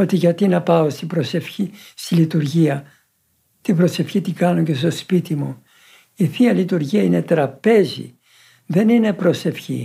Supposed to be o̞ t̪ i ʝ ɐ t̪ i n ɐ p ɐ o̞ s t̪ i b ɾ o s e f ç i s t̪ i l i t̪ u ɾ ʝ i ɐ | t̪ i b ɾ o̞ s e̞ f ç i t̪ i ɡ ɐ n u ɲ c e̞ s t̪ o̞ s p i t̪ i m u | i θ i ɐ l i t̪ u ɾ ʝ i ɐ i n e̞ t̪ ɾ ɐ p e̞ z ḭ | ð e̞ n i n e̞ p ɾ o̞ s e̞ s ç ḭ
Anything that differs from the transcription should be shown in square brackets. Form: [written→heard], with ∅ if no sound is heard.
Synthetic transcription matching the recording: o̞ t̪ i ʝ ɐ t̪ i n ɐ p ɐ o̞ s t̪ i b ɾ o s e f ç i s t̪ i l i t̪ u ɾ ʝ i ɐ | t̪ i b ɾ o̞ s e̞ f ç i t̪ i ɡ ɐ n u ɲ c e̞ s t̪ o̞ s p i t̪ i m u | i θ i ɐ l i t̪ u ɾ ʝ i ɐ i n e̞ t̪ ɾ ɐ p e̞ z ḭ | ð e̞ n i n e̞ p ɾ o̞ s e̞ [s→f] ç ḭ